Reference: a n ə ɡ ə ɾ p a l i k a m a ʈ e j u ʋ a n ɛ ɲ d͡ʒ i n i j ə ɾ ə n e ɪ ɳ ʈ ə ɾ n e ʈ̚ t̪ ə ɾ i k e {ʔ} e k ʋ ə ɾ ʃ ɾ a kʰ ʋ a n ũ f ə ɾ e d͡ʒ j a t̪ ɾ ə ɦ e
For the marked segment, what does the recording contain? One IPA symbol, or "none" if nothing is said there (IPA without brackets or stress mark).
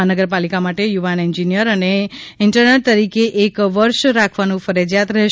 ʔ